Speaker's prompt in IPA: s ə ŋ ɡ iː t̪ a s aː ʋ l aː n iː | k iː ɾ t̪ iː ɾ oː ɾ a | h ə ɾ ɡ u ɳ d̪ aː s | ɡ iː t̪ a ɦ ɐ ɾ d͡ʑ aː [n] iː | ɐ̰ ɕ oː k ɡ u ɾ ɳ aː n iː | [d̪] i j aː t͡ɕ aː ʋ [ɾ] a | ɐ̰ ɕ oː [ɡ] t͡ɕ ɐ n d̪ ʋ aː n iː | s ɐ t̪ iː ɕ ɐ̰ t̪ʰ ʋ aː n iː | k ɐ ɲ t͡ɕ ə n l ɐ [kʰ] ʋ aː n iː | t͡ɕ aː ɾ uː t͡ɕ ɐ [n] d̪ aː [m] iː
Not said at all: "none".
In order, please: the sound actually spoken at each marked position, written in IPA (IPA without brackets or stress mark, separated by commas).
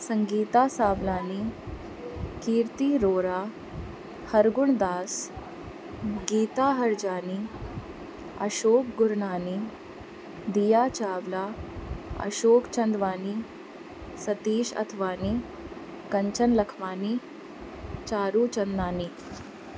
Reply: n, d̪, l, k, kʰ, n, n